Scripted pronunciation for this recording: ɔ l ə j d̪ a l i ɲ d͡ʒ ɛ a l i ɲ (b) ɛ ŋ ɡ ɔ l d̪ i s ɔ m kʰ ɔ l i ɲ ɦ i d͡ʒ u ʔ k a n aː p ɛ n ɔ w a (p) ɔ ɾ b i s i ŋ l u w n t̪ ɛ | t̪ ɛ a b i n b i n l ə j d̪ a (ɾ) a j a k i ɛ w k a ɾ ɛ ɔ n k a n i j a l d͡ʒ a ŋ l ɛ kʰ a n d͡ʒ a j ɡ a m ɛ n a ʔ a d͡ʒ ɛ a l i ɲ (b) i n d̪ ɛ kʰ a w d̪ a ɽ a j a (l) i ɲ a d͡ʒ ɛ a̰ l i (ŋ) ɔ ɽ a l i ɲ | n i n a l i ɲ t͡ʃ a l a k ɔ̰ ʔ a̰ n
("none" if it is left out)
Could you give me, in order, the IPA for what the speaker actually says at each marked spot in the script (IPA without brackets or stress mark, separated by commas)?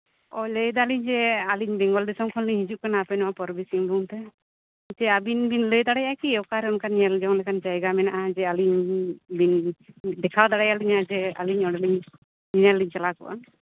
b, p, ɽ, b, l, ɲ